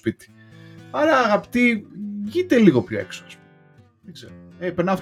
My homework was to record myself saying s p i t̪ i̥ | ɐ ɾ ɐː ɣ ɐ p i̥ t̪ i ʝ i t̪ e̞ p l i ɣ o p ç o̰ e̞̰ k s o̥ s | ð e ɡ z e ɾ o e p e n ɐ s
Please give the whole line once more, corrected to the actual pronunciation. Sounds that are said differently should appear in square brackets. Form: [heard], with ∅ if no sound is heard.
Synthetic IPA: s p i t̪ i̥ | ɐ ɾ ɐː ɣ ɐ p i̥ t̪ i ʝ i t̪ e̞ [∅] l i ɣ o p ç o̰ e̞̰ k s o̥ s | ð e ɡ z e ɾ o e p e n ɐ [f]